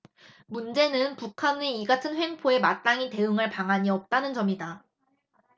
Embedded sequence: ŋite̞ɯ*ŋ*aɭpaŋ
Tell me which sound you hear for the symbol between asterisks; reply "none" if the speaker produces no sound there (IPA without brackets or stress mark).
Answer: ŋ